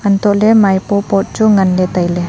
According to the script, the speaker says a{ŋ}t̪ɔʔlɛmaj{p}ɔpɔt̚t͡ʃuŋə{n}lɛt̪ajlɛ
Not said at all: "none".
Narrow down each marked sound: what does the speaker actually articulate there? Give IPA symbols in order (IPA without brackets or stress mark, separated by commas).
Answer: n, p, n